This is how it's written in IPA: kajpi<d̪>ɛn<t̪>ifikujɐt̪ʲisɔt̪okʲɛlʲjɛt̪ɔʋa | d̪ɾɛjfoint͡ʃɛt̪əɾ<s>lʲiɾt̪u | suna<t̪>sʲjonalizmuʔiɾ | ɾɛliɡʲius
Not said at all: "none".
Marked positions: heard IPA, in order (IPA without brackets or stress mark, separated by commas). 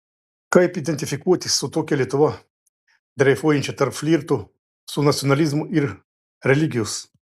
d̪, t̪, f, t̪